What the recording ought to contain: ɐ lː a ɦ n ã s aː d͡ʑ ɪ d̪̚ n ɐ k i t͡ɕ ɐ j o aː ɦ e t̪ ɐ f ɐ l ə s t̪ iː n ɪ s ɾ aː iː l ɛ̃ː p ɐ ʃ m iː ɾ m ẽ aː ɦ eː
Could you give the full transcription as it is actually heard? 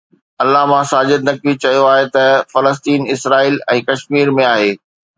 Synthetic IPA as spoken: ɐ lː a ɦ m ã s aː d͡ʑ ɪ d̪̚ n ɐ k i t͡ɕ ɐ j o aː ɦ e t̪ ɐ f ɐ l ə s t̪ iː n ɪ s ɾ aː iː l ɛ̃ː k ɐ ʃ m iː ɾ m ẽ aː ɦ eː